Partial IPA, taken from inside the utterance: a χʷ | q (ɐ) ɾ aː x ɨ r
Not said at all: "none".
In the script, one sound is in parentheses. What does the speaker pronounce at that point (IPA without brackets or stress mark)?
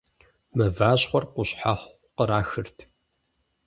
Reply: ə